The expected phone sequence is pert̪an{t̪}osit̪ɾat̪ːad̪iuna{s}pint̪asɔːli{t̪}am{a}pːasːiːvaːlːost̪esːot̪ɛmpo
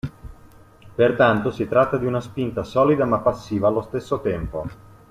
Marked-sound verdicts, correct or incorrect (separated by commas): correct, correct, incorrect, correct